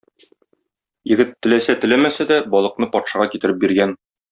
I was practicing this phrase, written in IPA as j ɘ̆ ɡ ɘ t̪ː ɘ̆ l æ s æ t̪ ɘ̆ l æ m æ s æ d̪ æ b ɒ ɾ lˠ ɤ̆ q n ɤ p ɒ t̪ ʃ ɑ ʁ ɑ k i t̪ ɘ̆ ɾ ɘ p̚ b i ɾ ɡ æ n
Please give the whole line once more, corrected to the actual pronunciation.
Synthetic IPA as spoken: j ɘ̆ ɡ ɘ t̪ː ɘ̆ l æ s æ t̪ ɘ̆ l æ m æ s æ d̪ æ b ɒ lˠ ɤ̆ q n ɤ p ɒ t̪ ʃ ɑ ʁ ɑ k i t̪ ɘ̆ ɾ ɘ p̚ b i ɾ ɡ æ n